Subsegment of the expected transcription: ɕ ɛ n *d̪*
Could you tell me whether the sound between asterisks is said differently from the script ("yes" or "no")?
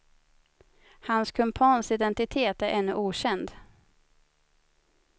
no